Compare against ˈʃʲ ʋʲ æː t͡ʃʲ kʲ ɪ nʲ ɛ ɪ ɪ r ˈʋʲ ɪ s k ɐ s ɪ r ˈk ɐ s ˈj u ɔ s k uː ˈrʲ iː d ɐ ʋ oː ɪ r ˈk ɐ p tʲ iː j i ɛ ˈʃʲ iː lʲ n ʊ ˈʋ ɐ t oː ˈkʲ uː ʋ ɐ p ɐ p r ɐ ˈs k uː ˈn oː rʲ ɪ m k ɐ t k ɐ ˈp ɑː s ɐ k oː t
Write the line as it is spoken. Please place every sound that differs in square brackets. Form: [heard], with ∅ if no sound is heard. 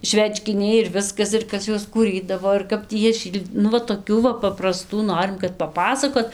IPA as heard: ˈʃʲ ʋʲ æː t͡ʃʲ kʲ ɪ nʲ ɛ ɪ ɪ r ˈʋʲ ɪ s k ɐ s ɪ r ˈk ɐ s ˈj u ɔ s k uː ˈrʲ iː d ɐ ʋ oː ɪ r ˈk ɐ p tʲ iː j i ɛ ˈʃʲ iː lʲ n ʊ ˈʋ ɐ t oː ˈkʲ uː ʋ ɐ p ɐ p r ɐ ˈs [t] uː ˈn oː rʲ ɪ m k ɐ t [p] ɐ ˈp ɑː s ɐ k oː t